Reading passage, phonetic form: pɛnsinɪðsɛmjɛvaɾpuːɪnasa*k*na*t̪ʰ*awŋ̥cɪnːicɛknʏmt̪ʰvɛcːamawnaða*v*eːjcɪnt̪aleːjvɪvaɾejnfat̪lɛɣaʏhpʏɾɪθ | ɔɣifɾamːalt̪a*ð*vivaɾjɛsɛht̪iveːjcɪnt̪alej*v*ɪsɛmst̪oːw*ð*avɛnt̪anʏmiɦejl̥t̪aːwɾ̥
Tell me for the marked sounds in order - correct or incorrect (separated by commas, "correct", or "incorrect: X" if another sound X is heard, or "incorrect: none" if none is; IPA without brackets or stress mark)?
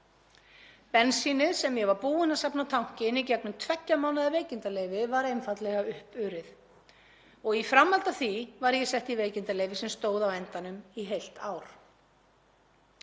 incorrect: p, correct, correct, incorrect: θ, correct, correct